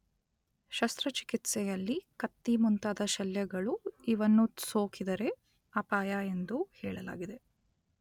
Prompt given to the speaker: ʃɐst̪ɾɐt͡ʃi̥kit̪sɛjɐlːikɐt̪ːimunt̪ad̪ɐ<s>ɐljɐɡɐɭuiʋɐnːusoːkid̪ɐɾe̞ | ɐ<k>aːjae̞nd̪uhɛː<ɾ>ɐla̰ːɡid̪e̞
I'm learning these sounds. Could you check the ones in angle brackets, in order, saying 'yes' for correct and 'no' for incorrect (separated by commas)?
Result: no, no, no